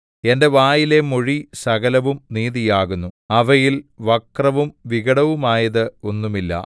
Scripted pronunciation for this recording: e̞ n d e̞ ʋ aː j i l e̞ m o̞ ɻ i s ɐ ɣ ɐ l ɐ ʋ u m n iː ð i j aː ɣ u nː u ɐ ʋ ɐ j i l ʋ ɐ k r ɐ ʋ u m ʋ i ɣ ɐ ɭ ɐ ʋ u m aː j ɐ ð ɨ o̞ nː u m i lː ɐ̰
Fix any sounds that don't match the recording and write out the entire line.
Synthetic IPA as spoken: e̞ n d e̞ ʋ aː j i l e̞ m o̞ ɻ i s ɐ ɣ ɐ l ɐ ʋ u m n iː ð i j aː ɣ u nː u ɐ ʋ ɐ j i l ʋ ɐ k r ɐ ʋ u m ʋ i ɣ ɐ ɽ ɐ ʋ u m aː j ɐ ð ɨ o̞ nː u m i lː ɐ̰

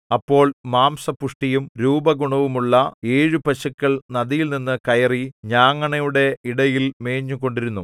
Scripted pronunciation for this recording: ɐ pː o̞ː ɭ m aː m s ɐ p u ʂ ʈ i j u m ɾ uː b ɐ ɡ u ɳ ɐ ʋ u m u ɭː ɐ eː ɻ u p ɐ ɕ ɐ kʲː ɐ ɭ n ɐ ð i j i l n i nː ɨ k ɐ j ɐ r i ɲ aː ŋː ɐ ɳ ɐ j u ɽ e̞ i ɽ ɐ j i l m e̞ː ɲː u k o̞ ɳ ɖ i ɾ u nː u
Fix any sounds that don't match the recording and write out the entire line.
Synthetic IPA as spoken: ɐ pː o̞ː ɭ m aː m s ɐ p u ʂ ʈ i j u m ɾ uː b ɐ ɡ u ɳ ɐ ʋ u m u ɭː ɐ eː ɻ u p ɐ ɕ ɐ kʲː ɐ ɭ n ɐ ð i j i l n i nː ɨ k ɐ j ɐ r i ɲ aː ŋː ɐ ɳ ɐ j u ɽ e̞ i ɽ ɐ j i l m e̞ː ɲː u k o̞ ɳ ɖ i ɾ u nː u

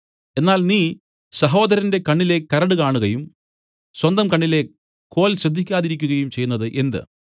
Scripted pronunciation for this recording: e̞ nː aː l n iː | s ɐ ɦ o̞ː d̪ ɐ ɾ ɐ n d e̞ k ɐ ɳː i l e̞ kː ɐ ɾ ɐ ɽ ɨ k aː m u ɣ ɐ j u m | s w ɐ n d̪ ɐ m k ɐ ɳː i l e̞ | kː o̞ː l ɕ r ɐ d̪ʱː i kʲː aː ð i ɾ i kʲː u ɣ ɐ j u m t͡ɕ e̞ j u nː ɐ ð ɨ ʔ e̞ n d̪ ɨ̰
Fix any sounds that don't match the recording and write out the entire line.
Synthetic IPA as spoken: e̞ nː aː l n iː | s ɐ ɦ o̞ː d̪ ɐ ɾ ɐ n d e̞ k ɐ ɳː i l e̞ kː ɐ ɾ ɐ ɽ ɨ k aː ɳ u ɣ ɐ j u m | s w ɐ n d̪ ɐ m k ɐ ɳː i l e̞ | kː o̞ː l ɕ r ɐ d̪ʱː i kʲː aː ð i ɾ i kʲː u ɣ ɐ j u m t͡ɕ e̞ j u nː ɐ ð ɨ ʔ e̞ n d̪ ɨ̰

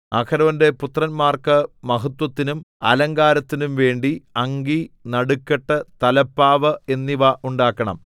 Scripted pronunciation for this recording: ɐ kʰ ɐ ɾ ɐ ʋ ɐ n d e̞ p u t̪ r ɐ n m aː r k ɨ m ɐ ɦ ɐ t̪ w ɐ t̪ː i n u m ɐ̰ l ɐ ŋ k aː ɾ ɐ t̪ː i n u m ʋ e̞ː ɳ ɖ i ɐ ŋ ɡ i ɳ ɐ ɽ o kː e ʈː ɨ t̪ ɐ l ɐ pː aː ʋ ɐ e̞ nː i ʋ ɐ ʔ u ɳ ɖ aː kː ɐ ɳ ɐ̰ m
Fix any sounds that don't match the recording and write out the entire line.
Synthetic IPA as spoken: ɐ kʰ ɐ ɾ ɐ ʋ ɐ n d e̞ p u t̪ r ɐ n m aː r k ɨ m ɐ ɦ ɐ t̪ w ɐ t̪ː i n u m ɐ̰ l ɐ ŋ ɡ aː ɾ ɐ t̪ː i n u m ʋ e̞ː ɳ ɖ i ɐ ŋ ɡ i n ɐ ɽ u kː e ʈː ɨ t̪ ɐ l ɐ pː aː ʋ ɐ e̞ nː i ʋ ɐ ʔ u ɳ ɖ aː kː ɐ ɳ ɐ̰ m

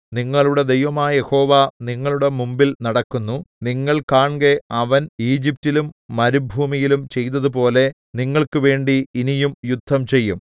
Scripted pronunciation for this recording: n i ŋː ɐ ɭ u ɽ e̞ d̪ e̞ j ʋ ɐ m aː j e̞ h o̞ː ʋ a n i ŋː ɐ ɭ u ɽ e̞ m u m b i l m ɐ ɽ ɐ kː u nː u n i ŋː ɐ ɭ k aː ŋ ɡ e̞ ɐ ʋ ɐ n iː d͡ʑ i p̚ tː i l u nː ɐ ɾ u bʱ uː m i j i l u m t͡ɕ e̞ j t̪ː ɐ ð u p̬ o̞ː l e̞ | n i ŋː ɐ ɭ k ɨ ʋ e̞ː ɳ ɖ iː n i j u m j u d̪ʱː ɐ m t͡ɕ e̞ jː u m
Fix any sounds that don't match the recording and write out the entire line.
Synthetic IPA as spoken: n i ŋː ɐ ɭ u ɽ e̞ d̪ e̞ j ʋ ɐ m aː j e̞ h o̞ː ʋ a n i ŋː ɐ ɭ u ɽ e̞ m u m b i l n ɐ ɽ ɐ kː u nː u n i ŋː ɐ ɭ k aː ɳ ɡ e̞ ɐ ʋ ɐ n iː d͡ʑ i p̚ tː i l u mː ɐ ɾ u bʱ uː m i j i l u m t͡ɕ e̞ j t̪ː ɐ ð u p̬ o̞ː l e̞ | n i ŋː ɐ ɭ k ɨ ʋ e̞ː ɳ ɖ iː n i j u m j u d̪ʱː ɐ m t͡ɕ e̞ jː u m

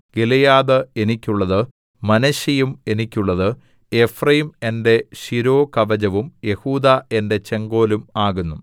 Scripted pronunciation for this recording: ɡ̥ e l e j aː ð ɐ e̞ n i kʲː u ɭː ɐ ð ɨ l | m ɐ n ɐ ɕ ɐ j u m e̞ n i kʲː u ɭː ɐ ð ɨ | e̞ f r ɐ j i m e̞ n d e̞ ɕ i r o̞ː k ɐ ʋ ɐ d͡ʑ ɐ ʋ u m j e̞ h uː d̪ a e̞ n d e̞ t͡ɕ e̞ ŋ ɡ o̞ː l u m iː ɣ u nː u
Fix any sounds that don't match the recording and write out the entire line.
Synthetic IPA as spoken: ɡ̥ e l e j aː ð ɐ e̞ n i kʲː u ɭː ɐ ð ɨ | m ɐ n ɐ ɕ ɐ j u m e̞ n i kʲː u ɭː ɐ ð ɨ | e̞ f r ɐ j i m e̞ n d e̞ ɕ i ɾ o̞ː k ɐ ʋ ɐ d͡ʑ ɐ ʋ u m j e̞ h uː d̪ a e̞ n d e̞ t͡ɕ e̞ ŋ ɡ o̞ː l u m aː ɣ u nː u

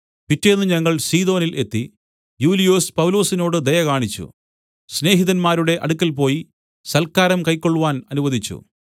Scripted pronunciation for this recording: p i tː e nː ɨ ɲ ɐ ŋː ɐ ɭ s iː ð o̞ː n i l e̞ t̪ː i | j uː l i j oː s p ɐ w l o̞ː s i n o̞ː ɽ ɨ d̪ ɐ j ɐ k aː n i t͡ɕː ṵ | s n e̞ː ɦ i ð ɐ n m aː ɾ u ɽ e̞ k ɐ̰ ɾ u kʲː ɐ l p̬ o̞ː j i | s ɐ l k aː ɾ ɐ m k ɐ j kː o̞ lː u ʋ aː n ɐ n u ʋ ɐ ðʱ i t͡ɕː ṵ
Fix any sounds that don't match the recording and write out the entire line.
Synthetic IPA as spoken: p i tː e nː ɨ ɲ ɐ ŋː ɐ ɭ s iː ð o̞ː n i l e̞ t̪ː i | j uː l i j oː s p ɐ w l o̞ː s i n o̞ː ɽ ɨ d̪ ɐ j ɐ k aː ɳ i t͡ɕː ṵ | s n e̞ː ɦ i ð ɐ n m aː ɾ u ɽ e̞ ʔ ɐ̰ ɽ u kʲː ɐ l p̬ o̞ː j i | s ɐ l k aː ɾ ɐ m k ɐ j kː o̞ ɭː u ʋ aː n ɐ n u ʋ ɐ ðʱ i t͡ɕː ṵ

